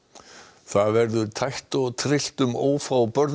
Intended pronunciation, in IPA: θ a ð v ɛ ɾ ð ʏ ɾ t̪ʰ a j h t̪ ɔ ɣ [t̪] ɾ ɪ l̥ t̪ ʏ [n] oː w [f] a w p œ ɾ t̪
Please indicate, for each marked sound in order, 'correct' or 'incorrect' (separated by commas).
incorrect, incorrect, correct